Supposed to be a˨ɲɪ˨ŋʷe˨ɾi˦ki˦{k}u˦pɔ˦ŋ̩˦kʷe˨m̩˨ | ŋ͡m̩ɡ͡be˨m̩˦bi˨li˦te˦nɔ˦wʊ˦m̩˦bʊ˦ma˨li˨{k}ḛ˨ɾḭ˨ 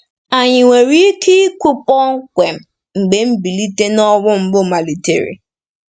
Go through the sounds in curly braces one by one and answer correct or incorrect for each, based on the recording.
correct, incorrect: t

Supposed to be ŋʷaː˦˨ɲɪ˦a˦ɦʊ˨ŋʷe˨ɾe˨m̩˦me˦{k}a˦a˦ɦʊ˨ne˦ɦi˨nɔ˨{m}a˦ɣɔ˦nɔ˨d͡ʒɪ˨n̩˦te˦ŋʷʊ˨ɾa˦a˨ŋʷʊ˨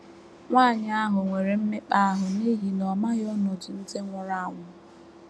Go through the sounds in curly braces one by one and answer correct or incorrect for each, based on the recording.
incorrect: k͡p, correct

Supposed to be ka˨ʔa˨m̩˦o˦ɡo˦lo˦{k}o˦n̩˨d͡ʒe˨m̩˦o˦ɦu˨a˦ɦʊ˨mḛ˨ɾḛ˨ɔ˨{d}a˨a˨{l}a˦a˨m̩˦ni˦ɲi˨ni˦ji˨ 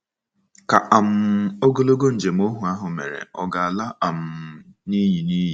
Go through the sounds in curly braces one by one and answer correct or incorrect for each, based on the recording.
incorrect: ɡ, incorrect: ɡ, correct

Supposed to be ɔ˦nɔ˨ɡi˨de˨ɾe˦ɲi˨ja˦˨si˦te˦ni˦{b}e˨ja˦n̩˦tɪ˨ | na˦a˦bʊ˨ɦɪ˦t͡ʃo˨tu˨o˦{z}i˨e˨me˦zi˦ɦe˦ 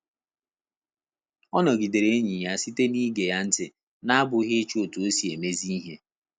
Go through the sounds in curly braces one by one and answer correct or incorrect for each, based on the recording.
incorrect: ɡ, incorrect: s

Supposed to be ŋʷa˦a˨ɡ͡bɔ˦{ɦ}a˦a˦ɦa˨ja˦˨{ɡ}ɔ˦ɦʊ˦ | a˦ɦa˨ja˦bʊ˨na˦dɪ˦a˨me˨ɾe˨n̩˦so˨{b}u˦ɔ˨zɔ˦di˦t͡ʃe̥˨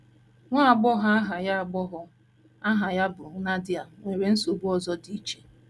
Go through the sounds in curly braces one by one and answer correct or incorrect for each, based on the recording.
correct, incorrect: ɡ͡b, correct

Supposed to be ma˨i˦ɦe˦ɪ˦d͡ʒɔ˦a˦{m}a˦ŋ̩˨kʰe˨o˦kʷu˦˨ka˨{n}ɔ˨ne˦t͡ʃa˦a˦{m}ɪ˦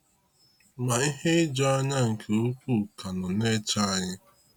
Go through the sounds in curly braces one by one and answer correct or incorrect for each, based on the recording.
incorrect: ɲ, correct, incorrect: ɲ

